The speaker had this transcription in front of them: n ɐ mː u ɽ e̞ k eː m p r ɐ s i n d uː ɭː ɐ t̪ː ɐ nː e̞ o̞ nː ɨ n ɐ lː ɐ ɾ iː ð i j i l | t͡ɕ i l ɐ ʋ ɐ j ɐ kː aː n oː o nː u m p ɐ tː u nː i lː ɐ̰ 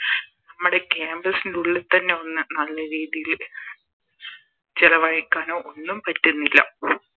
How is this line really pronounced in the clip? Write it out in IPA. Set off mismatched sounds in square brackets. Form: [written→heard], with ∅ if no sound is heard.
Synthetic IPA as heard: n ɐ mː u ɽ e̞ k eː m [p→b] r ɐ s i n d [uː→u] ɭː ɐ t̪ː ɐ nː e̞ o̞ nː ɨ n ɐ lː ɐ ɾ iː ð i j i l | t͡ɕ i l ɐ ʋ ɐ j ɐ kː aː n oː o nː u m p ɐ tː u nː i lː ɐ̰